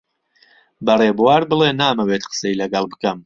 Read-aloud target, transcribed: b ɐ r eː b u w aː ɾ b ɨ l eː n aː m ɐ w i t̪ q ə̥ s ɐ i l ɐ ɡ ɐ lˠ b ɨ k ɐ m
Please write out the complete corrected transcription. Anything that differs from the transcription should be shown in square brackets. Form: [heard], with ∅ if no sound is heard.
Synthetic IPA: b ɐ r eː b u w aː ɾ b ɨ l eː n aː m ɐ w [e] t̪ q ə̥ s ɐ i l ɐ ɡ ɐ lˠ b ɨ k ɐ m